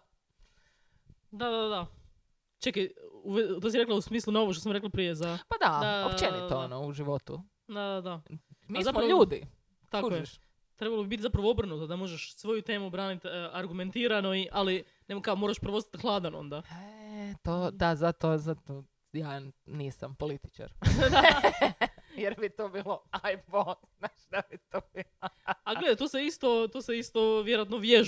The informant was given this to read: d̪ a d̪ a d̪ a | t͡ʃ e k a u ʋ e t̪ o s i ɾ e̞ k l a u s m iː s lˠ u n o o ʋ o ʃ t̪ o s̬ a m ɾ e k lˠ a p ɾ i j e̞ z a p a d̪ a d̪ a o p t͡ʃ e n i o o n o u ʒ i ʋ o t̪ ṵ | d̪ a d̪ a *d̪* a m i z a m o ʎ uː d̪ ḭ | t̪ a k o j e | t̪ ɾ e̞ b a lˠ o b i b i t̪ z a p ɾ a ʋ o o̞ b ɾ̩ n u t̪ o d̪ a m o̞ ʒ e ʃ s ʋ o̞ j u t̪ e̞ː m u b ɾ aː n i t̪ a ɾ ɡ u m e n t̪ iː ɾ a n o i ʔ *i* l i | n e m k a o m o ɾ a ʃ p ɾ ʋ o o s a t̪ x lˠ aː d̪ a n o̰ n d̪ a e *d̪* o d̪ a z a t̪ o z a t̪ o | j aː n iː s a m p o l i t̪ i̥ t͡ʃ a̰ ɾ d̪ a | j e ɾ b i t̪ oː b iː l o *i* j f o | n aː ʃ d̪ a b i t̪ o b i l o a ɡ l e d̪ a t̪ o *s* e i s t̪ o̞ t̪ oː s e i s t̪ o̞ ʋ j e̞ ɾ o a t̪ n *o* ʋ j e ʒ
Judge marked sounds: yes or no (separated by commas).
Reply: yes, no, no, no, yes, yes